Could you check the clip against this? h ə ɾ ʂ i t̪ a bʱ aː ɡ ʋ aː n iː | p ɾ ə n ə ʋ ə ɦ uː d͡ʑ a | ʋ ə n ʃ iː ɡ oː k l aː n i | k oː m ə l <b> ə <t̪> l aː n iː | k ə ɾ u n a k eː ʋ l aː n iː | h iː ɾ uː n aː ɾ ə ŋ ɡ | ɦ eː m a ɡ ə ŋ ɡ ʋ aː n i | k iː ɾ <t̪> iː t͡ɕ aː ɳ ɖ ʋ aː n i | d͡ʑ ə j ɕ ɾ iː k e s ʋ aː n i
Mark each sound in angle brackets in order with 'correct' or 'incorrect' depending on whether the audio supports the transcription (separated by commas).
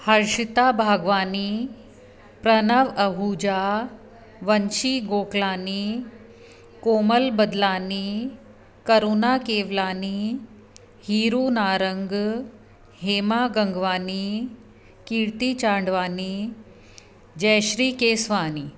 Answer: correct, incorrect, correct